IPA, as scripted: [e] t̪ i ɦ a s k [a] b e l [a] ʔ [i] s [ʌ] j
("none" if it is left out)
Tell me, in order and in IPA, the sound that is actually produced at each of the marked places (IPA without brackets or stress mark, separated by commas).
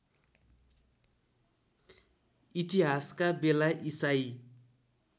i, a, a, i, a